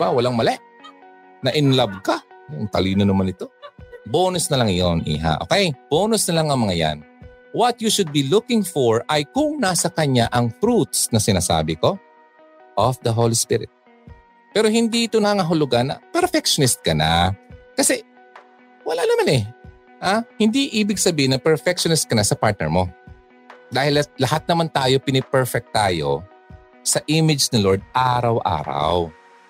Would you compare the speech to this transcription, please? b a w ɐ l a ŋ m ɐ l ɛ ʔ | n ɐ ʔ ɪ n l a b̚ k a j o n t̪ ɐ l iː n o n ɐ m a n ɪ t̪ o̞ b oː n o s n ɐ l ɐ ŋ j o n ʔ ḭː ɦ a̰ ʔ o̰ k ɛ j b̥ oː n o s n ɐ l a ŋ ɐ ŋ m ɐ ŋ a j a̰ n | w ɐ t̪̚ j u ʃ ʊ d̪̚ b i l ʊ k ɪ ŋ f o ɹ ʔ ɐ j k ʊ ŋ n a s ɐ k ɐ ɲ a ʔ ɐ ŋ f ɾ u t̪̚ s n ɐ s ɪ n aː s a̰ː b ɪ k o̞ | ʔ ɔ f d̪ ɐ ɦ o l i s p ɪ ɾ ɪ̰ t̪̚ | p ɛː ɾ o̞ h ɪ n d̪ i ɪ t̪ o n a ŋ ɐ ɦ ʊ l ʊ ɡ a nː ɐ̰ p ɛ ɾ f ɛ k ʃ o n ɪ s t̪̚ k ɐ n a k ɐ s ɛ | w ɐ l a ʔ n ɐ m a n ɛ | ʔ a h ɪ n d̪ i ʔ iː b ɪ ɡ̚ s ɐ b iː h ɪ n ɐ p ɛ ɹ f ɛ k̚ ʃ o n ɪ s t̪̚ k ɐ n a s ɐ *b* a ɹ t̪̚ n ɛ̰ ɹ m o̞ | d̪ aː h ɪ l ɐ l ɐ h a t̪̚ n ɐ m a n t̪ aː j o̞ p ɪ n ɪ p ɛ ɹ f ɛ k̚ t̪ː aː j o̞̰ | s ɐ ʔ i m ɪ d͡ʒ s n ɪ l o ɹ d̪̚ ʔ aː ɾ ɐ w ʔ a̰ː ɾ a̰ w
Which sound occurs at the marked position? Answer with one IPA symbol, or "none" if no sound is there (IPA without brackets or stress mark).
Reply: p